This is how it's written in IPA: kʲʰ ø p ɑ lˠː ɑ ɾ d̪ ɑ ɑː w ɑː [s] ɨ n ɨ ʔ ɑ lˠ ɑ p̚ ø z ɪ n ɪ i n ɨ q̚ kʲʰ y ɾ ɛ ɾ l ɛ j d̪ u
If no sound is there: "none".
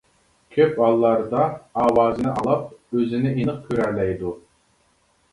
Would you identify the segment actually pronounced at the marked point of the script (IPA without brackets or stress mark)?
z